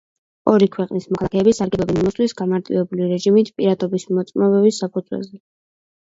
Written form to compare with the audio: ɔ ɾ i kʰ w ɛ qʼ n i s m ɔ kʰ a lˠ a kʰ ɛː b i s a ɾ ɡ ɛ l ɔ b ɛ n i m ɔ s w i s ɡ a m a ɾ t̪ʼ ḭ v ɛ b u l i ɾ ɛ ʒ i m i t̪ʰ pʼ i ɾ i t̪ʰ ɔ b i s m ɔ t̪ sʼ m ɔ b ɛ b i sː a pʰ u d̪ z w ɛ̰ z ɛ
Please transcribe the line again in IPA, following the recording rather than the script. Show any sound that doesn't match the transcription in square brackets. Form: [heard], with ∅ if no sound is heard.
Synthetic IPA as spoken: ɔ ɾ i kʰ w ɛ qʼ n i s m ɔ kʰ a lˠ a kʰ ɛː b i s a ɾ ɡ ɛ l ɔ b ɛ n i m ɔ s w i s ɡ a m a ɾ t̪ʼ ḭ v ɛ b u l i ɾ ɛ ʒ i m i t̪ʰ pʼ i ɾ [a] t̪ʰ ɔ b i s m ɔ t̪ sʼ m ɔ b ɛ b i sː a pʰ u d̪ z w ɛ̰ z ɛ